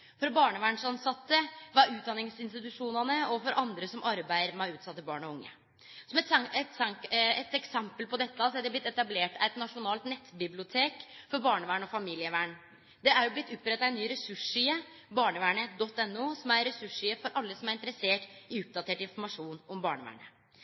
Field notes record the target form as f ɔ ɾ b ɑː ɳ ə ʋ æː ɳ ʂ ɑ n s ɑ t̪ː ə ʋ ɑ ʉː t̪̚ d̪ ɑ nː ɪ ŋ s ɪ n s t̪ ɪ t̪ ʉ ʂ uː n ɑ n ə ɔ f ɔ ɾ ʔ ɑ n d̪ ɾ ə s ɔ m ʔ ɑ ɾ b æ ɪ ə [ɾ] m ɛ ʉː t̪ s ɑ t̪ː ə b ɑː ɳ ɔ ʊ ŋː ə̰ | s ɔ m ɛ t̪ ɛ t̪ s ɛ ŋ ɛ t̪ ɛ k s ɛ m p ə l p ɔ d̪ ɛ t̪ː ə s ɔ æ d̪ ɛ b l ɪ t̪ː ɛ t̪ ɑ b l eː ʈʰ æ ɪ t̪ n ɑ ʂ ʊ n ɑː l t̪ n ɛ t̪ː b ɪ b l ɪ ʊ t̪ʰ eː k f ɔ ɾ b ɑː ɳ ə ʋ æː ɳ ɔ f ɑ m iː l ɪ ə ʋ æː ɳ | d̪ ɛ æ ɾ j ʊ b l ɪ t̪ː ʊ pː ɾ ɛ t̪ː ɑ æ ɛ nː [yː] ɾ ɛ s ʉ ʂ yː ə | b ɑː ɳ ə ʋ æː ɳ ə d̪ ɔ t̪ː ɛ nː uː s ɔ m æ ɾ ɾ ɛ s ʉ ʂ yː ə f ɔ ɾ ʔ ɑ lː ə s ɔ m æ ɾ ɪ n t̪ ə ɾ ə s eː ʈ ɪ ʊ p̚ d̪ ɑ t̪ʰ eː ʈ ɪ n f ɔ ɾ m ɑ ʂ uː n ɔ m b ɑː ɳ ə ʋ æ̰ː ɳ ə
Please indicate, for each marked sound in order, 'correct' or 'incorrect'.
correct, correct

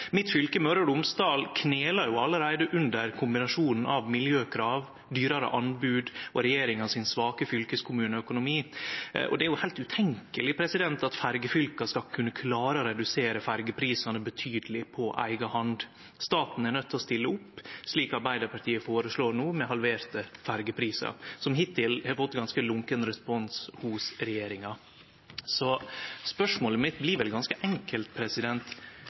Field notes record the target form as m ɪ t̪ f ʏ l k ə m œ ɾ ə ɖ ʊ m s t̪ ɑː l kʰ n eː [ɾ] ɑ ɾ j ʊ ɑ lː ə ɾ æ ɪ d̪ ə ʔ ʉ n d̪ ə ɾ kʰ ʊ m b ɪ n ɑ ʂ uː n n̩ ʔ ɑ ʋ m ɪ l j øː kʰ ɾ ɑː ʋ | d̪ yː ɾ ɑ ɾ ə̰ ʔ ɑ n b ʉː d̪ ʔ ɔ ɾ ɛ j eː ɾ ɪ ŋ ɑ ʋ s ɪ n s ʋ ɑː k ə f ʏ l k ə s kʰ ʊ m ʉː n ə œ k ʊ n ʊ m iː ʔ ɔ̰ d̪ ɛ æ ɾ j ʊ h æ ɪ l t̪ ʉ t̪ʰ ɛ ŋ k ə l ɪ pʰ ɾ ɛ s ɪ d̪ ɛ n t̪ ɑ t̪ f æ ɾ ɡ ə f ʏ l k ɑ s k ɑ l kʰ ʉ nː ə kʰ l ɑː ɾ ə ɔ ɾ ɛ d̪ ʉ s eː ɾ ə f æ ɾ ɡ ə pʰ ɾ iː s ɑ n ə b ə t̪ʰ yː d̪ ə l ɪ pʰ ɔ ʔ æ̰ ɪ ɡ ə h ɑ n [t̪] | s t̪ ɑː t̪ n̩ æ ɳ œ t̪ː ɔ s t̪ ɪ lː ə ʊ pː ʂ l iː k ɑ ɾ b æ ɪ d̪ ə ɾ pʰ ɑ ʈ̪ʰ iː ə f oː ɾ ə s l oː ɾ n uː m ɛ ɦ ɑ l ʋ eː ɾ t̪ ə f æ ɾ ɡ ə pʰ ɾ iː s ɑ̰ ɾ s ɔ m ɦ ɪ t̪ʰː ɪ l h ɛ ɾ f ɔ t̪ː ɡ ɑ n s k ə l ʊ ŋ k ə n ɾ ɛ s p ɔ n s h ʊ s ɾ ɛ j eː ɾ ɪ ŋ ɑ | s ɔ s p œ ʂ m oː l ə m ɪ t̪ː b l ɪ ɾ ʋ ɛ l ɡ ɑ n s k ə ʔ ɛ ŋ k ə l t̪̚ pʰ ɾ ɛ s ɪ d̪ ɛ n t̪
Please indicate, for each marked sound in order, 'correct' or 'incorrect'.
incorrect: l, incorrect: d̪

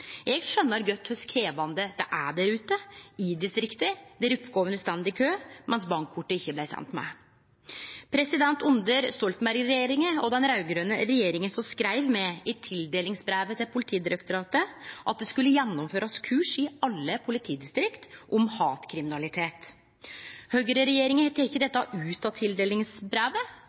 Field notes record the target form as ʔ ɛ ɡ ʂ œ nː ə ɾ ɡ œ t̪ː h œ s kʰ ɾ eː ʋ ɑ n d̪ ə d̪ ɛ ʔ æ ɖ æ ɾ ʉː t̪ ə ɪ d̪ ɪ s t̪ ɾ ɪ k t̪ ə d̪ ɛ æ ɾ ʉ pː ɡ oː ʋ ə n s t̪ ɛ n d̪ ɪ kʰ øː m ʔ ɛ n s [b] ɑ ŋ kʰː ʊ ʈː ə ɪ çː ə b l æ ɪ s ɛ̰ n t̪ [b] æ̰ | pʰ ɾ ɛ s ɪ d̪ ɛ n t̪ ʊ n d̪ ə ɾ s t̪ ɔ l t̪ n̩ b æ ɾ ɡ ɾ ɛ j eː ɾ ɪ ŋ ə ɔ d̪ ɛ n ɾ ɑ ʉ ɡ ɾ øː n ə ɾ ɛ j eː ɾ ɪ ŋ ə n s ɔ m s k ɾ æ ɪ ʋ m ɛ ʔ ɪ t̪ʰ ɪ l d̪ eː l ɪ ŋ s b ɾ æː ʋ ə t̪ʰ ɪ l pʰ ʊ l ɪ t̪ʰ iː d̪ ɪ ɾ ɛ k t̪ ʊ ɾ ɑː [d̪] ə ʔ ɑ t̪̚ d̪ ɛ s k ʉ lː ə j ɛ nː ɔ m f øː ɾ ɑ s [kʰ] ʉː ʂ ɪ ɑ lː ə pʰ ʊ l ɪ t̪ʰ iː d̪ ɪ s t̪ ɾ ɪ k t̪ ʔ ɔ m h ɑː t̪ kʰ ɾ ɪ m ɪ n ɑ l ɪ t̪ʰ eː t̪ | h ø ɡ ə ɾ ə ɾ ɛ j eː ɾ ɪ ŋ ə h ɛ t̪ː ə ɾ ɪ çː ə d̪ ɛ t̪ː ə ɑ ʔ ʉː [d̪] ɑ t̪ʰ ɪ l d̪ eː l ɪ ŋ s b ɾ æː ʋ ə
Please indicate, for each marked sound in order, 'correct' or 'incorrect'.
correct, incorrect: m, incorrect: t̪, correct, incorrect: t̪

